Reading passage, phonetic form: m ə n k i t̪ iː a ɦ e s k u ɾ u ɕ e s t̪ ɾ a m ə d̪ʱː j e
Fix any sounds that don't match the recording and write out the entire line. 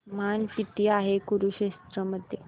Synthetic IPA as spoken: m a n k i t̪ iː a ɦ e k u ɾ u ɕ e s t̪ ɾ ə m ə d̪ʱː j e

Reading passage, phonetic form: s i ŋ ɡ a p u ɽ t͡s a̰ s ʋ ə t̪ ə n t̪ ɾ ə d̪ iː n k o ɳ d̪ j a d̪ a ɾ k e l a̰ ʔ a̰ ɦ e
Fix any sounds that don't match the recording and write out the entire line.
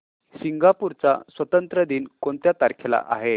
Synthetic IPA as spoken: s i ŋ ɡ a p u ɾ t͡s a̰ s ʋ ə t̪ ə n t̪ ɾ ə d̪ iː n k o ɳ t̪ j a t̪ a ɾ kʰ e l a̰ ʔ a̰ ɦ e

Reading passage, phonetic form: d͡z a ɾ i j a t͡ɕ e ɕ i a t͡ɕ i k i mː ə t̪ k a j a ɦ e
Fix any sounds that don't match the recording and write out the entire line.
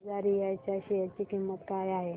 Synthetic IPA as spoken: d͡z a ɾ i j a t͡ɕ a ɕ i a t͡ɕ i k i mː ə t̪ k a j a ɦ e

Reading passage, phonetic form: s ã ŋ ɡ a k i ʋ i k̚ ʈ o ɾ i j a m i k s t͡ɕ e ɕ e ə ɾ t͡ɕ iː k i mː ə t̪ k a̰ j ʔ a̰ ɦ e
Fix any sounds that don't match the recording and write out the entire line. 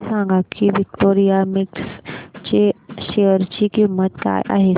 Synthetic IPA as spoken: s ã ŋ ɡ a k i ʋ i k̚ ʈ o ɾ i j a m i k s t͡ɕ e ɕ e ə ɾ t͡ɕ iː k i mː ə t̪ k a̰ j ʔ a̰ ɦ e

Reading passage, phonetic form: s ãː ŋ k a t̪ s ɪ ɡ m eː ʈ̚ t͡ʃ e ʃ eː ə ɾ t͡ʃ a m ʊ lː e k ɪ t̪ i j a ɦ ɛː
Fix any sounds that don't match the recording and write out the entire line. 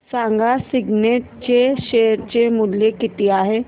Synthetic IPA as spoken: s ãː ŋ ɡ a s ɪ ɡ n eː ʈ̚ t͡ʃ e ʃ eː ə ɾ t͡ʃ e m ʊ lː e k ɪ t̪ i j a ɦ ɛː

